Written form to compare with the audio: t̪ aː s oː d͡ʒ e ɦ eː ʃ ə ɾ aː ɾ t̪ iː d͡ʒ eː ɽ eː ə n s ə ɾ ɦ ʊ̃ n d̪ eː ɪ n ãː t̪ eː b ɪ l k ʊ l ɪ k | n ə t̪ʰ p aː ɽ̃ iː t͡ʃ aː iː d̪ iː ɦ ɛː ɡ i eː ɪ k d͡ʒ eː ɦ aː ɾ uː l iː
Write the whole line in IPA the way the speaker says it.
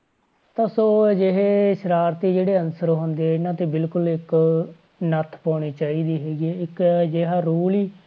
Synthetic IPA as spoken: t̪ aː s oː d͡ʒ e ɦ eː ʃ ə ɾ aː ɾ t̪ iː d͡ʒ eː ɽ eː ə n s ə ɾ ɦ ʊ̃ n d̪ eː ɪ n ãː t̪ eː b ɪ l k ʊ l ɪ k | n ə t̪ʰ p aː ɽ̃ iː t͡ʃ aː iː d̪ iː ɦ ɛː ɡ i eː ɪ k d͡ʒ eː ɦ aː ɾ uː l iː